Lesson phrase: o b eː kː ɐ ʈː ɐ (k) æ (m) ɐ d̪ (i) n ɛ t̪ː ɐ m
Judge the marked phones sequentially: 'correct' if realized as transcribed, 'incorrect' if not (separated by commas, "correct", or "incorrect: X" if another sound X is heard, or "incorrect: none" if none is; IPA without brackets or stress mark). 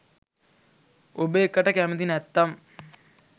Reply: correct, correct, correct